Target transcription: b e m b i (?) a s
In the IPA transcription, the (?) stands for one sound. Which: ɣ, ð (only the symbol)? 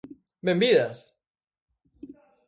ð